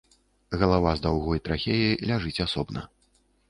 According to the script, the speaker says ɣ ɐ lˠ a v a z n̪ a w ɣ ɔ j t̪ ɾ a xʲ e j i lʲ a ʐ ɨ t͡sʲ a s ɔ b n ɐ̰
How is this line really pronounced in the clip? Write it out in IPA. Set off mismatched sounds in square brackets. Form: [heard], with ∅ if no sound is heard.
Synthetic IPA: ɣ ɐ lˠ a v a z [d̪] a w ɣ ɔ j t̪ ɾ a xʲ e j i lʲ a ʐ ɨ t͡sʲ a s ɔ b n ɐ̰